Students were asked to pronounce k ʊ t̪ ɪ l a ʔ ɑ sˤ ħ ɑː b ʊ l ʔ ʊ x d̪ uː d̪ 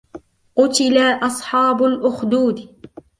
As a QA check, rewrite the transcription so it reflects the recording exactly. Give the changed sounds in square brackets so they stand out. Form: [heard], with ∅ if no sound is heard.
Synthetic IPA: [q] ʊ t̪ ɪ l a ʔ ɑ sˤ ħ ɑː b ʊ l ʔ ʊ x d̪ uː d̪